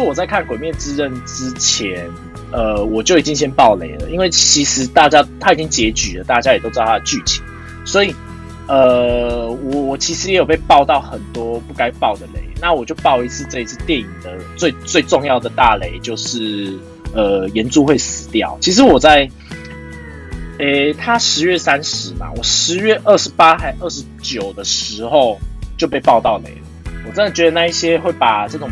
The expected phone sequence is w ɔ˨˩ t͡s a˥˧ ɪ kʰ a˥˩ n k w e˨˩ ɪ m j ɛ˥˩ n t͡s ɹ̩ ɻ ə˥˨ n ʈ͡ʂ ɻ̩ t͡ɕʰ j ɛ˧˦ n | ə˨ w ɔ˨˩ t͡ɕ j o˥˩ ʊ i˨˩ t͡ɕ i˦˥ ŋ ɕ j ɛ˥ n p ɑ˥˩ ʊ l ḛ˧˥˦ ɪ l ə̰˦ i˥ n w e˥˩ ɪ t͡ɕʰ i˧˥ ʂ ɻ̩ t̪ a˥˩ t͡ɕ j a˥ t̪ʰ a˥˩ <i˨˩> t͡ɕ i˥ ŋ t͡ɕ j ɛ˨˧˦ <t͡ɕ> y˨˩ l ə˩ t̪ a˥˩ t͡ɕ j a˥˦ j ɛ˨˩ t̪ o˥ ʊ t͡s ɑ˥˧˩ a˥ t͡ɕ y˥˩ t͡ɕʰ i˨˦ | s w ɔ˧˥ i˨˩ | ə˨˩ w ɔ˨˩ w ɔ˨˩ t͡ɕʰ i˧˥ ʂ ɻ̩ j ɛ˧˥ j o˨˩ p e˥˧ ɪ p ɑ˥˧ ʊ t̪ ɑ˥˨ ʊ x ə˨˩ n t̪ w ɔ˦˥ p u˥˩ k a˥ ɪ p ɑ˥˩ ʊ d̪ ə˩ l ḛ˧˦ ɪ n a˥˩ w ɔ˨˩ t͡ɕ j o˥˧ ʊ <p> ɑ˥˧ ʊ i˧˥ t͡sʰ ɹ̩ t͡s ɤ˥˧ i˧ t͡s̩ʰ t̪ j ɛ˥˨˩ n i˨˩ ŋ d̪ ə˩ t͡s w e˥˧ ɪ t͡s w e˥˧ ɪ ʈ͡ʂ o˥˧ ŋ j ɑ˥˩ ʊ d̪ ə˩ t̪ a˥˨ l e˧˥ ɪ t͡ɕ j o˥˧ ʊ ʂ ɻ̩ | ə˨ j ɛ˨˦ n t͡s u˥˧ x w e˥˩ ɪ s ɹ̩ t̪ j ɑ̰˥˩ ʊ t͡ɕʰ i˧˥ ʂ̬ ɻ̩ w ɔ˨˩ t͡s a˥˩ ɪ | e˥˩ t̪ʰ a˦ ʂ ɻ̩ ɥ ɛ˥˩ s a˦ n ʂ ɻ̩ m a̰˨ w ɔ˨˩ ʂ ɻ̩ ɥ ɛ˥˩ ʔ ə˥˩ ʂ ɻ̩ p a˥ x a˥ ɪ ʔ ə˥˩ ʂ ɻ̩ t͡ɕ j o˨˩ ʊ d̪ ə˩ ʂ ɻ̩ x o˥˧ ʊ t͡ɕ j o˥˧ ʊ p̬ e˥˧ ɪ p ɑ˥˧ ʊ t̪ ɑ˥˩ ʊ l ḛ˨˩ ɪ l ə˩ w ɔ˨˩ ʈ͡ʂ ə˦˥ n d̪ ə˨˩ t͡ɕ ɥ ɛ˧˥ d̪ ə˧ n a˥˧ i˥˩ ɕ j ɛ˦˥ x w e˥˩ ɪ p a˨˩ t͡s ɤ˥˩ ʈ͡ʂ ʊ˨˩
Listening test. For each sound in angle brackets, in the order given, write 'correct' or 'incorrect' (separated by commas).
correct, correct, correct